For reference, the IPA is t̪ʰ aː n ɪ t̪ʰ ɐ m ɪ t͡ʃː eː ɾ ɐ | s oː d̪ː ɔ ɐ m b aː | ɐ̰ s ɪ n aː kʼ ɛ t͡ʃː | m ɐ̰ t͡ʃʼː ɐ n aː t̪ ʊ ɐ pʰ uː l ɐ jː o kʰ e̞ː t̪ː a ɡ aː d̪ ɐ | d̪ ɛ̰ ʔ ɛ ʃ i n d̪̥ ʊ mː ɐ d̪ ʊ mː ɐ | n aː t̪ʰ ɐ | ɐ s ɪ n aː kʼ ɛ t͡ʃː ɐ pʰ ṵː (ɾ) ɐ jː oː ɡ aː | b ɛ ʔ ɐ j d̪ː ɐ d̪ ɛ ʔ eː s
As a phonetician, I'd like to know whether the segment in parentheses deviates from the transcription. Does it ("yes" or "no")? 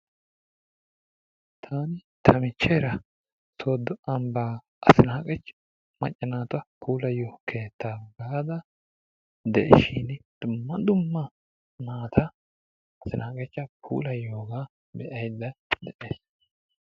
yes